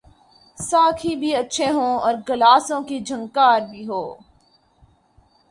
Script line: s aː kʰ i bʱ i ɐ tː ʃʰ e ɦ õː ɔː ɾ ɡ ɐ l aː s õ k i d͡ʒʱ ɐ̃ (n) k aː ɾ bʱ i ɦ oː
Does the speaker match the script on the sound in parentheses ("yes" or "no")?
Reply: no